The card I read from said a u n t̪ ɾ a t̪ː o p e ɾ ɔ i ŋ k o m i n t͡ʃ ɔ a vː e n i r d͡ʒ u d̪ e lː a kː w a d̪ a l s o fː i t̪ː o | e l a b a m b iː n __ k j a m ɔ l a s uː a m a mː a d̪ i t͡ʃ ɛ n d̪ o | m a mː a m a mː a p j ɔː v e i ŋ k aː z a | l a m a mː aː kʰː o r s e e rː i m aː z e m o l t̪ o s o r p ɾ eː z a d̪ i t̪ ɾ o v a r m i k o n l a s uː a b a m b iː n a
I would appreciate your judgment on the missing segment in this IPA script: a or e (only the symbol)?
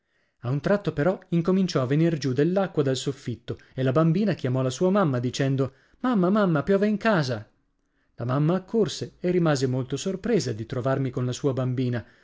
a